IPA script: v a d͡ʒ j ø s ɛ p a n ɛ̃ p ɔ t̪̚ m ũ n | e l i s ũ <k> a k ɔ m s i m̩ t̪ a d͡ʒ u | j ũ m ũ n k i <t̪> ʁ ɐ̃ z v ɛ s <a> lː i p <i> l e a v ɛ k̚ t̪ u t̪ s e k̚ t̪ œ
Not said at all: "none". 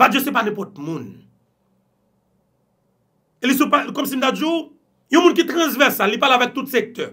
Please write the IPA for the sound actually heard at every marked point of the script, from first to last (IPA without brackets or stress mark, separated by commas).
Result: p, t̪, a, a